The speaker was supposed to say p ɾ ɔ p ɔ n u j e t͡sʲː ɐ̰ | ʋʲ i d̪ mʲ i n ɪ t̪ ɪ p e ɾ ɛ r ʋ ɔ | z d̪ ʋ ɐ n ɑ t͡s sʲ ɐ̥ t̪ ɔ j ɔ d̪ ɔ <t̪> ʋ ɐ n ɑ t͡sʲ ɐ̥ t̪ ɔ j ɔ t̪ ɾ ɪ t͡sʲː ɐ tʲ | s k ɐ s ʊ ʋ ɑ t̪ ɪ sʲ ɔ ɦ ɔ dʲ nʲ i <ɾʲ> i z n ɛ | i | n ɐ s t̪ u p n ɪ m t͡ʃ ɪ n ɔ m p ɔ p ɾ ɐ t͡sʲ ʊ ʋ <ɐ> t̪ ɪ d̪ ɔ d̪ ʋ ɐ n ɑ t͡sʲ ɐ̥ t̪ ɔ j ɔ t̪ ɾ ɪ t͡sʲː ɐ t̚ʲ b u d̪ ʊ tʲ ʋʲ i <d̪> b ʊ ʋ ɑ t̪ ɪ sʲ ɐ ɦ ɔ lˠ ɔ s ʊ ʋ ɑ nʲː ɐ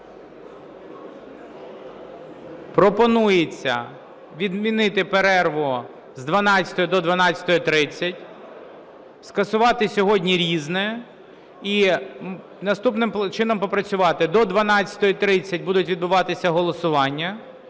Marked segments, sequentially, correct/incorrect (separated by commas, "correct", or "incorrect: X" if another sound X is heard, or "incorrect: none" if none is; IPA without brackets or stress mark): incorrect: d̪, correct, incorrect: ɑ, correct